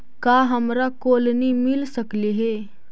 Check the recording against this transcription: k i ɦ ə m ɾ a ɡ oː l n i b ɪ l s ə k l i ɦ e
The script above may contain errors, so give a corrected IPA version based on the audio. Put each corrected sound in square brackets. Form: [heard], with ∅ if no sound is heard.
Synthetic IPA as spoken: k [a] ɦ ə m ɾ a [k] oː l n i [m] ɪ l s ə k l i ɦ e